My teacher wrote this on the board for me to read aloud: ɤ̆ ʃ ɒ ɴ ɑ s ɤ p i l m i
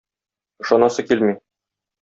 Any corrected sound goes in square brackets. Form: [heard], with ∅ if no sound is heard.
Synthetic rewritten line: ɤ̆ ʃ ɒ [n] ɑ s ɤ [k] i l m i